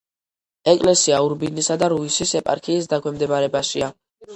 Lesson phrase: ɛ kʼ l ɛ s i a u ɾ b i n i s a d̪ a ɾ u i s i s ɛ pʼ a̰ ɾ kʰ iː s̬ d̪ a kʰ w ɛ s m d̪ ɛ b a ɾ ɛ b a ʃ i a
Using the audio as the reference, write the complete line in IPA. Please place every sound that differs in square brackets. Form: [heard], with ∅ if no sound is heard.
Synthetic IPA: ɛ kʼ l ɛ s i a u ɾ b i n i s a d̪ a ɾ u i s i s ɛ pʼ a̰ ɾ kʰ iː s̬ d̪ a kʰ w ɛ [∅] m d̪ ɛ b a ɾ ɛ b a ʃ i a